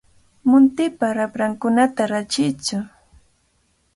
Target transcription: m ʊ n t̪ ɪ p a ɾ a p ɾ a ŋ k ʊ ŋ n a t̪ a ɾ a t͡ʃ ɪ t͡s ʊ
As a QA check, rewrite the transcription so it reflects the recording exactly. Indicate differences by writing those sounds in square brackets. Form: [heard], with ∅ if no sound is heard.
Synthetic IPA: m ʊ n t̪ ɪ p a ɾ a p ɾ a ŋ k ʊ [∅] n a t̪ a ɾ a t͡ʃ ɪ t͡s ʊ